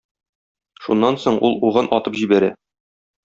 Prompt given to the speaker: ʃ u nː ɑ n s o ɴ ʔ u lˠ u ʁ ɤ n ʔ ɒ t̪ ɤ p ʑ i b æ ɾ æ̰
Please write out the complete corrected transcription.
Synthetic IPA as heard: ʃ u nː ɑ n s o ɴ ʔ u lˠ u ʁ ɤ n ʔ ɒ t̪ ɤ p ʑ i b æ ɾ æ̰